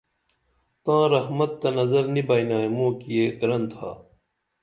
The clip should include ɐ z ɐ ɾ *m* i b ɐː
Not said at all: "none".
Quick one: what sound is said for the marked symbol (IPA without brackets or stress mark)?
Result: n